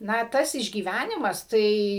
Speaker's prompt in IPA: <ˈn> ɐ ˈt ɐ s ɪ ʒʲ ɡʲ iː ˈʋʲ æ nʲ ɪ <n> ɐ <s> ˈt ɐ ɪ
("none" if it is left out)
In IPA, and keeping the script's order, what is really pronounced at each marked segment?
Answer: n, m, s

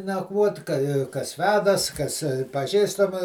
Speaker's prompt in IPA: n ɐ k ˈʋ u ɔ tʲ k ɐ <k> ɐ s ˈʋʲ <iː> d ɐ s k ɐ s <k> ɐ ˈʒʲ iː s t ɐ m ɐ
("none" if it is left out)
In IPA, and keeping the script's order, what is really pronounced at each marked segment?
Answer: k, æː, p

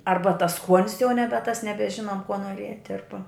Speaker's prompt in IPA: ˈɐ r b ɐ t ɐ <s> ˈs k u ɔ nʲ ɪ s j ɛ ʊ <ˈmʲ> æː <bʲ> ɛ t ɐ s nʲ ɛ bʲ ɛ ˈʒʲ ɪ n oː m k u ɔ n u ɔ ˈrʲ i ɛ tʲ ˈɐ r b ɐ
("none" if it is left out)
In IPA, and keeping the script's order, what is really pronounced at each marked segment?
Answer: s, nʲ, bʲ

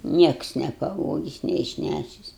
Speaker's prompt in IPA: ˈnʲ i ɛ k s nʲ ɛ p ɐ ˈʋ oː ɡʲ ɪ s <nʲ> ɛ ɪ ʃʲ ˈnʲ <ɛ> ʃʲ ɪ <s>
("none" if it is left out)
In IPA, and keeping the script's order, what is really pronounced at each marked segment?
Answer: nʲ, æ, s

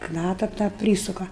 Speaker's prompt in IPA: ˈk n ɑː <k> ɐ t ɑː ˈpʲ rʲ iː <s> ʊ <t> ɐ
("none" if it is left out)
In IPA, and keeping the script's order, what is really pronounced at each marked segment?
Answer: t, s, k

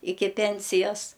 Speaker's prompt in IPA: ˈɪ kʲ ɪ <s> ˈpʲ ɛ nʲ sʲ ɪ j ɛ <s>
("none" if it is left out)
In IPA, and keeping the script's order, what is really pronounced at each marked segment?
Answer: none, s

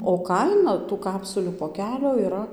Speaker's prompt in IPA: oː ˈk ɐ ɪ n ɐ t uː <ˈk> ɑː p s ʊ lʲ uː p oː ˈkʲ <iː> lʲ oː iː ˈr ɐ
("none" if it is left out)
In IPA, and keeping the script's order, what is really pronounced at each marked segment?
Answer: k, æː

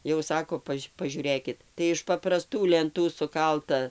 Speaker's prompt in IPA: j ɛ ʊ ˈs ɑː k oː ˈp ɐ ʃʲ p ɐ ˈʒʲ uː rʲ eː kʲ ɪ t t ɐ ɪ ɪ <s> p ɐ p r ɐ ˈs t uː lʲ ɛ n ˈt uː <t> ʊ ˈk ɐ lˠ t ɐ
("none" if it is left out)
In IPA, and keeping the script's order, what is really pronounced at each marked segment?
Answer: ʃ, s

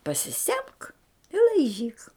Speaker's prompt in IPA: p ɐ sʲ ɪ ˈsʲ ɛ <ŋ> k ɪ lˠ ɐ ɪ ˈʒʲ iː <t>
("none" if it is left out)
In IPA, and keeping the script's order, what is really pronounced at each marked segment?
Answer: m, k

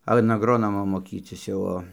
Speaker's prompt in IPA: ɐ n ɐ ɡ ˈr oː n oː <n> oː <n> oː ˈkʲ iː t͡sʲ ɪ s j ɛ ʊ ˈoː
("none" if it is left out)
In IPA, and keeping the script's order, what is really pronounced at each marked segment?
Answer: m, m

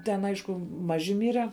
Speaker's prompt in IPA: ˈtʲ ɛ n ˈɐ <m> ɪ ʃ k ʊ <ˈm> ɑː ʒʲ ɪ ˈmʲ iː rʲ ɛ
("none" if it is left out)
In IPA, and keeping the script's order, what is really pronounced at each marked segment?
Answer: none, m

